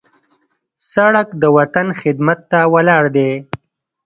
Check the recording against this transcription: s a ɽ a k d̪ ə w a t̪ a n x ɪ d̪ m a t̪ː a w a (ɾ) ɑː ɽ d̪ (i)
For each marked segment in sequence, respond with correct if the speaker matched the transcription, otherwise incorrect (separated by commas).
incorrect, incorrect